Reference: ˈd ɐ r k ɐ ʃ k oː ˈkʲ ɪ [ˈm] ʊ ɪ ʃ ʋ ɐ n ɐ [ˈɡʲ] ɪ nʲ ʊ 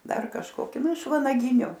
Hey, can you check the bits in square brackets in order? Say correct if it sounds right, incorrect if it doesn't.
incorrect, correct

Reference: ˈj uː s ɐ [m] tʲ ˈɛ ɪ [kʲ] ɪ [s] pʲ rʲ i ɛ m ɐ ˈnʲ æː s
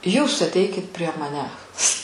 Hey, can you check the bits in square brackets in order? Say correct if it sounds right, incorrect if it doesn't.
incorrect, correct, incorrect

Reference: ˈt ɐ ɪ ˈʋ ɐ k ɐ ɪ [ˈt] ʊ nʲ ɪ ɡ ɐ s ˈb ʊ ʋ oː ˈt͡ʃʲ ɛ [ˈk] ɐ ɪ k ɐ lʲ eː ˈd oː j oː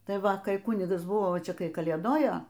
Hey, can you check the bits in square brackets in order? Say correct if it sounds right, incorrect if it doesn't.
incorrect, correct

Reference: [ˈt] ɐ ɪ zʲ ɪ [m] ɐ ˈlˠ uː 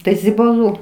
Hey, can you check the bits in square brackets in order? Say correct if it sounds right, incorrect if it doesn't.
correct, incorrect

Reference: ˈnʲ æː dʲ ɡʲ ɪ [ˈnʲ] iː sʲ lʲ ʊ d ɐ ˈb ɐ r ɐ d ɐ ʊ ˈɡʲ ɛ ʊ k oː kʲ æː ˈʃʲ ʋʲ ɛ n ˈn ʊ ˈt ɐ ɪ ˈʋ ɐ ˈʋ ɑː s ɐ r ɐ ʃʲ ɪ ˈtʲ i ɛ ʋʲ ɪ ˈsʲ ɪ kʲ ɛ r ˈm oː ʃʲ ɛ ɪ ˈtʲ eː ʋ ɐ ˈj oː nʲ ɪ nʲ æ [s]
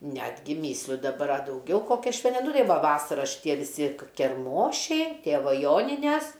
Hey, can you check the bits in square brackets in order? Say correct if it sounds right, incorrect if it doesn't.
incorrect, correct

